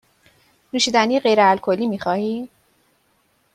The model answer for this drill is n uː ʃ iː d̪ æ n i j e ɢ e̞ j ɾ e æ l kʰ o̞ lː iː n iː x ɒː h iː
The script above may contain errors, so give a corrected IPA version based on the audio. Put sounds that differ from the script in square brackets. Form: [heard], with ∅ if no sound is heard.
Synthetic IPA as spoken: n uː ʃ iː d̪ æ n i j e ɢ e̞ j ɾ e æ l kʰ o̞ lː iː [m] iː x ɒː h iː